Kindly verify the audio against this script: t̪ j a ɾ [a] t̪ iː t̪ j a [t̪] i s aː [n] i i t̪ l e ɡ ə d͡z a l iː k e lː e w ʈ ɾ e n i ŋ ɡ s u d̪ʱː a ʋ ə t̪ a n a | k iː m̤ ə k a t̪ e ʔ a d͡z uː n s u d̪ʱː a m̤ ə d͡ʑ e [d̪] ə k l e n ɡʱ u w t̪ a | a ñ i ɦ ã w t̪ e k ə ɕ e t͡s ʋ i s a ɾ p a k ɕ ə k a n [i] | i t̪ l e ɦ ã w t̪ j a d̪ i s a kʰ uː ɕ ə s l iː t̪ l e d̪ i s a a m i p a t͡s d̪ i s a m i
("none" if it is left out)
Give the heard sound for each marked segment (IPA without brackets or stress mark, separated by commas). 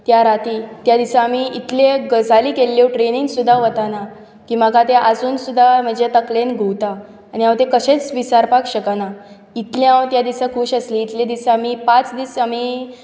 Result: a, d̪, m, t̪, a